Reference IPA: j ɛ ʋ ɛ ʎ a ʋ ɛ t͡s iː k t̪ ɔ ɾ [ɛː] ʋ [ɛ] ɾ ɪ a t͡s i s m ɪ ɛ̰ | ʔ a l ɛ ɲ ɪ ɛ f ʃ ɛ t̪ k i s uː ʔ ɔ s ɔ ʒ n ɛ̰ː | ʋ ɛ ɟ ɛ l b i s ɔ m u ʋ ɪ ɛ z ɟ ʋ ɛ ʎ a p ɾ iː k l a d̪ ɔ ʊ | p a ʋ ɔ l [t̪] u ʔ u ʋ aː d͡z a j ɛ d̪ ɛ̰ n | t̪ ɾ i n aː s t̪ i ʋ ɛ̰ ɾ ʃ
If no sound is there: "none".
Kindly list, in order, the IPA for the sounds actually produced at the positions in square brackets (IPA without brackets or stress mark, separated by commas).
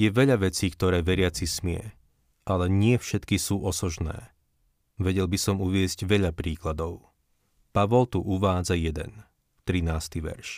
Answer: ɛː, ɛ, t̪